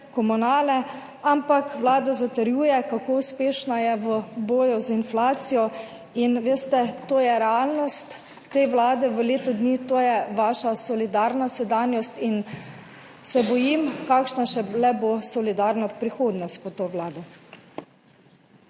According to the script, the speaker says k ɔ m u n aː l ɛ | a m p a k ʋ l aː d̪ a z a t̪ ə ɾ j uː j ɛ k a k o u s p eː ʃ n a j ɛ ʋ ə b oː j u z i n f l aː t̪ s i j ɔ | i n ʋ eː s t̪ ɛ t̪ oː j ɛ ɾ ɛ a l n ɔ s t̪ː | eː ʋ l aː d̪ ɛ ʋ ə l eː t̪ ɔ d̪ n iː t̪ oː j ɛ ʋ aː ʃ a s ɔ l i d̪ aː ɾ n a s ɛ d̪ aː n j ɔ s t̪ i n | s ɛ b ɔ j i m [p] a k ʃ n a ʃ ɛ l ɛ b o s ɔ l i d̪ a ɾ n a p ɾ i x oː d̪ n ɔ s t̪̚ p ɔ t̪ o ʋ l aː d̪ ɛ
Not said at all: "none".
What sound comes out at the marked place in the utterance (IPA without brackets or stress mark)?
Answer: k